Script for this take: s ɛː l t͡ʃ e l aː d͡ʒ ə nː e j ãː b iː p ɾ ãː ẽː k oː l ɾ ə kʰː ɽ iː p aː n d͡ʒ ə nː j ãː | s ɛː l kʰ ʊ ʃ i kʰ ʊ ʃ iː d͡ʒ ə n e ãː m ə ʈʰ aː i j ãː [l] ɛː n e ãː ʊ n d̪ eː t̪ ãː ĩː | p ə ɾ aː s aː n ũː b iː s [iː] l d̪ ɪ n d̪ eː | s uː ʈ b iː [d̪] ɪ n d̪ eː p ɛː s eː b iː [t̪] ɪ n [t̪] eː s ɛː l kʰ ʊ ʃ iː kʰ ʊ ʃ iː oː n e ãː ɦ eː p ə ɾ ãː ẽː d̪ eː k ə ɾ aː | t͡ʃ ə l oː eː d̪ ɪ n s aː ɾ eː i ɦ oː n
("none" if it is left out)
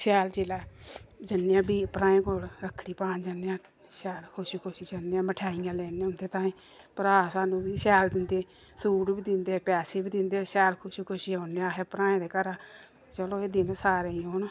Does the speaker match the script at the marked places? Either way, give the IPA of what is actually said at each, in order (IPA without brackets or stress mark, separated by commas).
l, ɛː, d̪, d̪, d̪